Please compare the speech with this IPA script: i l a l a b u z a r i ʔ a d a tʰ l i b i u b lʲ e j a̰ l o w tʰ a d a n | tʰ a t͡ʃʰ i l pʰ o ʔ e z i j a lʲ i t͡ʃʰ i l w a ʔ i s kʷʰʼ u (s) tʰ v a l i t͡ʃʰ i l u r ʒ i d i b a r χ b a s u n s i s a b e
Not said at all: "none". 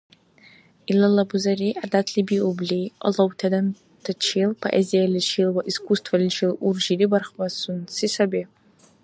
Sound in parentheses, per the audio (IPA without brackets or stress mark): s